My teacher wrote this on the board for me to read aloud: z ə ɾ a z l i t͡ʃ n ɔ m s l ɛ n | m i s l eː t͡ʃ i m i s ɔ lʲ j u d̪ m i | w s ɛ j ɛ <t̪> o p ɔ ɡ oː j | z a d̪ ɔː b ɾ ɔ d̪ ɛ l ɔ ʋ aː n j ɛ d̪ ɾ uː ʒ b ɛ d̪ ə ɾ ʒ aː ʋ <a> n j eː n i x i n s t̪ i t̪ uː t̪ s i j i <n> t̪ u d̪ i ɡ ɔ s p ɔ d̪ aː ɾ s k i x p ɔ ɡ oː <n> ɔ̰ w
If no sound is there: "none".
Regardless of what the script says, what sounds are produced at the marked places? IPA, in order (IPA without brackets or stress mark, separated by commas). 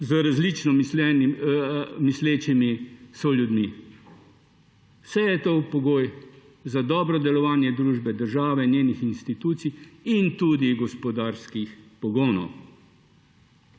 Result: t̪, ɛ, n, n